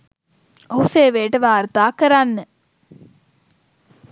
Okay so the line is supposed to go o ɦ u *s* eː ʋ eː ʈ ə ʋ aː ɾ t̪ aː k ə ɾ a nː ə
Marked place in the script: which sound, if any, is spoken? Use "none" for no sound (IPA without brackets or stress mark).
s